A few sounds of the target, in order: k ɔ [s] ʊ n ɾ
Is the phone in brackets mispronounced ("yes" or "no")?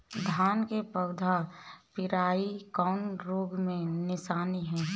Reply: yes